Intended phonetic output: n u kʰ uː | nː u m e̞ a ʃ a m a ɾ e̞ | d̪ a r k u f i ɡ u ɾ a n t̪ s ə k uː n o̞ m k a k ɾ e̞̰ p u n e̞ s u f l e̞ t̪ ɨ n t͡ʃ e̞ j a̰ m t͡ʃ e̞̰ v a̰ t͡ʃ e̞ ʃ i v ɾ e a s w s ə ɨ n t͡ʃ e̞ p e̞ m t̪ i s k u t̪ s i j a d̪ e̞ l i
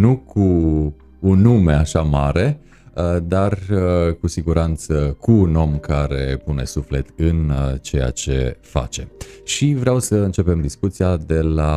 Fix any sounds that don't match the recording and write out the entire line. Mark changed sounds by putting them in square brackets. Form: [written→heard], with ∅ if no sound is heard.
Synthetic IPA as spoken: n u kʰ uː | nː u m e̞ a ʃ a m a ɾ e̞ | d̪ a r k u [f→s] i ɡ u ɾ a n t̪ s ə k uː n o̞ m k a [k→∅] ɾ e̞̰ p u n e̞ s u f l e̞ t̪ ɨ n t͡ʃ e̞ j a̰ [m→∅] t͡ʃ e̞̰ [v→f] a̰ t͡ʃ e̞ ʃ i v ɾ e a [s→∅] w s ə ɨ n t͡ʃ e̞ p e̞ m [t̪→d̪] i s k u t̪ s i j a d̪ e̞ l [i→a]